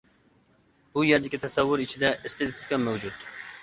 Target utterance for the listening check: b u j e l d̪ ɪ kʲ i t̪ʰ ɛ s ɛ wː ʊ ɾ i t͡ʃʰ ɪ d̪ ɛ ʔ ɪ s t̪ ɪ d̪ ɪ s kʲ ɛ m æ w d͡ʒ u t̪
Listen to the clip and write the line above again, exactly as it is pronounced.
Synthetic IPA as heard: b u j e ɾ d̪ ɪ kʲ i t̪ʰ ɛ s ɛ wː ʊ ɾ i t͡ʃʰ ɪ d̪ ɛ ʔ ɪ s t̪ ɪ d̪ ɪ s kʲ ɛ m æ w d͡ʒ u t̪